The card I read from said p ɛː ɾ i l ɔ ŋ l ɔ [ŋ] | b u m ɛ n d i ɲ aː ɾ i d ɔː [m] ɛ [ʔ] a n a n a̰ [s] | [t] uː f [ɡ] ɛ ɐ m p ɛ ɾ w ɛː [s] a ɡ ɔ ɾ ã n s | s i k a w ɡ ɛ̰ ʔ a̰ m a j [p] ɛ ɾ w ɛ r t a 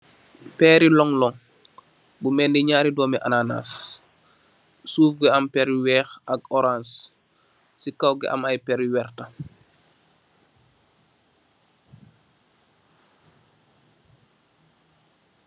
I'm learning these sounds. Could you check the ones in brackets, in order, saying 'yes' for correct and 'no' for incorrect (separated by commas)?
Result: yes, yes, yes, yes, no, yes, no, yes